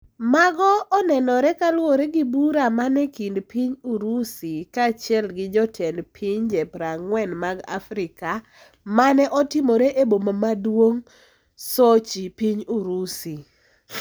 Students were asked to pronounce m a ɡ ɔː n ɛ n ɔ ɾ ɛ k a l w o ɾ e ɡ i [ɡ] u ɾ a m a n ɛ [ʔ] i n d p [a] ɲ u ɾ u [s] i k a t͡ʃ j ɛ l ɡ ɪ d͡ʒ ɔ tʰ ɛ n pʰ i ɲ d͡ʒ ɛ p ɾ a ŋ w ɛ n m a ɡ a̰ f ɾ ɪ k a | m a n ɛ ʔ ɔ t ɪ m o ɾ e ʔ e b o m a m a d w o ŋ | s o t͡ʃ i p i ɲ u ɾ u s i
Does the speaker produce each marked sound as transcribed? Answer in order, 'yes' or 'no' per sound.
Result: no, no, no, yes

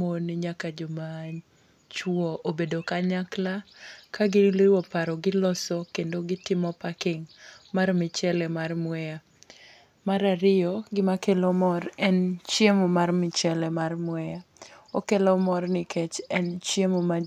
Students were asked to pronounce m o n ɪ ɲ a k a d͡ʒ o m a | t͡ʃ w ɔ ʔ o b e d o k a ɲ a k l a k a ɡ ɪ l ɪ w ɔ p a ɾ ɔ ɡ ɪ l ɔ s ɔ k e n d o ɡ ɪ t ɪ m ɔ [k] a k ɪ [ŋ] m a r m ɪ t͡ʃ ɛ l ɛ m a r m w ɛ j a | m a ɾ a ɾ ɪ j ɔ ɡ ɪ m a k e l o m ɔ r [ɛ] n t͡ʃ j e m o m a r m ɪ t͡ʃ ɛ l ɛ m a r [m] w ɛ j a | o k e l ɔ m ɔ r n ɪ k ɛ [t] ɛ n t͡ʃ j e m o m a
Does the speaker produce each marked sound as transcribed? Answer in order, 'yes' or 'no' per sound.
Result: no, yes, yes, yes, no

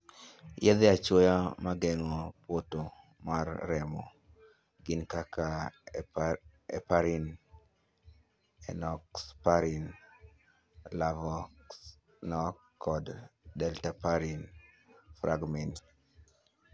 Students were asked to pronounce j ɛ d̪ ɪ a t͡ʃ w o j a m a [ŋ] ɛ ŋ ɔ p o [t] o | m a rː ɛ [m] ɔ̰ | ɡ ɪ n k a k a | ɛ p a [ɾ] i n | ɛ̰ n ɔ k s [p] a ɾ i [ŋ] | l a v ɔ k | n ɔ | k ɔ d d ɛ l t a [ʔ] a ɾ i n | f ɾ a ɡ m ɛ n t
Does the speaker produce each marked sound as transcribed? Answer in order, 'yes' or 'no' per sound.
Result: no, yes, yes, yes, yes, no, no

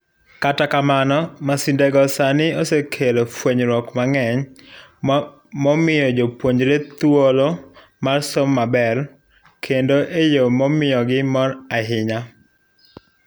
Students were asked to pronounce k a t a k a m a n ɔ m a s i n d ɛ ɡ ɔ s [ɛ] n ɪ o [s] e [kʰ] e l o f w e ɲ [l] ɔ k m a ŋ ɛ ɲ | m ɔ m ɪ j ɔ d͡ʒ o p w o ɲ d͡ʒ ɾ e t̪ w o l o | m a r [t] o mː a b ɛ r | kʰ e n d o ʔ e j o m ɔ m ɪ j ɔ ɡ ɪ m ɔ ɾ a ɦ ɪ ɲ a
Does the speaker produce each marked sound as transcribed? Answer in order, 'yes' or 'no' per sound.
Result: no, yes, yes, no, no

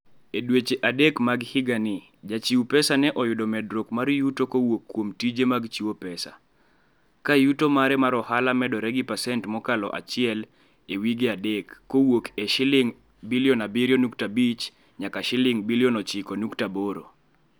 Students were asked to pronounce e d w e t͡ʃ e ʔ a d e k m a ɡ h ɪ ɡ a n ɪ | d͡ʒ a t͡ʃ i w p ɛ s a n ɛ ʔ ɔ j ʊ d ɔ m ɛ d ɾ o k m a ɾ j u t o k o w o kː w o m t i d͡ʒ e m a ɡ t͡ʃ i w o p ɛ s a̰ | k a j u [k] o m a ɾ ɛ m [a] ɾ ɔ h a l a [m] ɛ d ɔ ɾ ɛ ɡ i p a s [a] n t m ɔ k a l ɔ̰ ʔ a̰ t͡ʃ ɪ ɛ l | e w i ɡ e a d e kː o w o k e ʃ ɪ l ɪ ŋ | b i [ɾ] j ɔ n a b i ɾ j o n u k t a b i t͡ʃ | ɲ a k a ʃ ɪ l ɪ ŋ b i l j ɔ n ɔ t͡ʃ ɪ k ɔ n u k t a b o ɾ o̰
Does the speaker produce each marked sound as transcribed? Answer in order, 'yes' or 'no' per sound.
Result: no, yes, yes, no, no

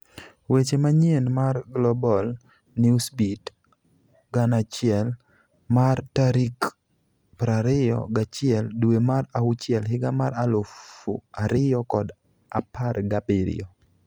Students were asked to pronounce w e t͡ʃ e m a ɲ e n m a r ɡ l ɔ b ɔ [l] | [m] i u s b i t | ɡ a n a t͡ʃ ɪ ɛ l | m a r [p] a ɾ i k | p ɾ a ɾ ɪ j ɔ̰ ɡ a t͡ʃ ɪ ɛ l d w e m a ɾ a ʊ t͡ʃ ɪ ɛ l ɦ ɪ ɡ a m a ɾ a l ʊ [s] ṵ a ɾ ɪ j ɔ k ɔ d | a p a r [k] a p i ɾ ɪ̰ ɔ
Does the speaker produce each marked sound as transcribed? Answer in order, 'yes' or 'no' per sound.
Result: yes, no, no, no, no

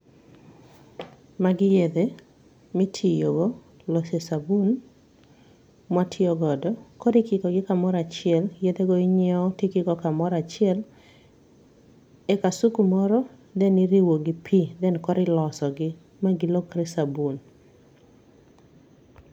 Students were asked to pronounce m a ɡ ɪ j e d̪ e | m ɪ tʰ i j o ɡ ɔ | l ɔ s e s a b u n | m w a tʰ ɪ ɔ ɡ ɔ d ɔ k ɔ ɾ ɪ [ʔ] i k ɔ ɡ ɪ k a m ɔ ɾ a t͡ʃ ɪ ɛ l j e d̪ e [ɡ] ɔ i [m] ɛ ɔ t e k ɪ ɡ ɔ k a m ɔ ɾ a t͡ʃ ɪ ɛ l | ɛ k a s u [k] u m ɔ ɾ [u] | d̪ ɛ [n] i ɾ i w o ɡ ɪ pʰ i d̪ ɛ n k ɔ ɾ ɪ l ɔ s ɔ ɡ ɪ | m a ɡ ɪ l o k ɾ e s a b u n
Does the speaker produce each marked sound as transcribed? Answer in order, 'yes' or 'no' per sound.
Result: no, yes, no, yes, no, yes

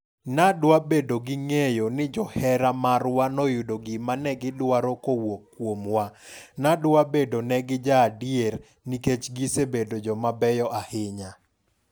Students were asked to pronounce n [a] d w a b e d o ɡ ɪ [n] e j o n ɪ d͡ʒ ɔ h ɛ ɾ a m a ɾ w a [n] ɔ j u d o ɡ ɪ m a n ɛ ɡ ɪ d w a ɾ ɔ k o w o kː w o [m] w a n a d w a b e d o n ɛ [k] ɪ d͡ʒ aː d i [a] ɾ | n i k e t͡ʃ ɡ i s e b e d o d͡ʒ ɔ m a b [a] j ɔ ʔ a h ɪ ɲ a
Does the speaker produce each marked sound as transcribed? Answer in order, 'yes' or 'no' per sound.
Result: yes, no, yes, yes, no, no, no

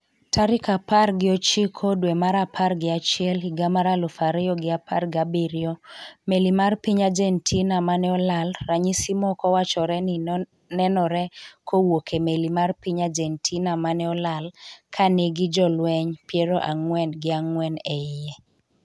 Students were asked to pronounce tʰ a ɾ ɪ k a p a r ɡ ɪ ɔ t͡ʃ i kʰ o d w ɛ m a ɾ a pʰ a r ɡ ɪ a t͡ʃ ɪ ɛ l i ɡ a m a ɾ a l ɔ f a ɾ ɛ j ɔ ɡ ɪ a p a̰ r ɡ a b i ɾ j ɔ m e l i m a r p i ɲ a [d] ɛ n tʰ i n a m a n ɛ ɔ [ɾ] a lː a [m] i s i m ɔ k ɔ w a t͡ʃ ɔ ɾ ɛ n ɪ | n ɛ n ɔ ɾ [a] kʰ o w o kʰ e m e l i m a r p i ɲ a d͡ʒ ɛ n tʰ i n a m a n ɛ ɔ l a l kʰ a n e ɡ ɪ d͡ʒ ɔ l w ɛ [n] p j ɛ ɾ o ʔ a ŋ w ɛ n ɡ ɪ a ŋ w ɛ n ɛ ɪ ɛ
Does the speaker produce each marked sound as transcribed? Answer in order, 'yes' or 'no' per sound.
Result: no, no, no, no, no

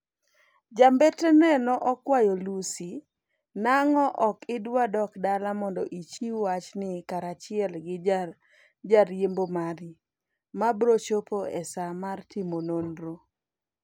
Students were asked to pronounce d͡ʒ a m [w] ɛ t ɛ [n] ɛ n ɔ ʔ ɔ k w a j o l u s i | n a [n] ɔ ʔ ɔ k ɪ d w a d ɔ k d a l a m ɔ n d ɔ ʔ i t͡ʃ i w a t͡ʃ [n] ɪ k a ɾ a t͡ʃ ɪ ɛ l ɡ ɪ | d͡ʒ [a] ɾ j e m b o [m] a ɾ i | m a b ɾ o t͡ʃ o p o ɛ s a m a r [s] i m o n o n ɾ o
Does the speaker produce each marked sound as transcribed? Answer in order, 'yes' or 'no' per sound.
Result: no, yes, no, yes, yes, yes, no

